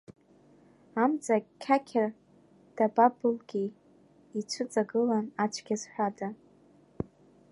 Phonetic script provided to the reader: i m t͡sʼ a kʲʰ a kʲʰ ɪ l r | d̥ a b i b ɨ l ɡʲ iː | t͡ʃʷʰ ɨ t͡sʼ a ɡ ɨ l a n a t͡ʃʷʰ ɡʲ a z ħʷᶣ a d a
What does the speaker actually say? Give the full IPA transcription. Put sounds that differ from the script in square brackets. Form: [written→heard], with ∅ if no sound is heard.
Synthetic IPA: [i→a] m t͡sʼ a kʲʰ a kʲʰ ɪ [l→∅] r | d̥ a b [i→a] b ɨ l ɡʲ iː | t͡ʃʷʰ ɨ t͡sʼ a ɡ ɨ l a n a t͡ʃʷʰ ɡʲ a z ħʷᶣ a d a